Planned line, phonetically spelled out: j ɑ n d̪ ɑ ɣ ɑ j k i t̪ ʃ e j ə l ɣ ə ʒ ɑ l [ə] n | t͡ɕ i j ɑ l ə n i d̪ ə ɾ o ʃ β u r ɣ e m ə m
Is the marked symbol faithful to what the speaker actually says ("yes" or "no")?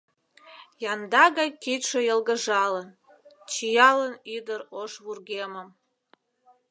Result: yes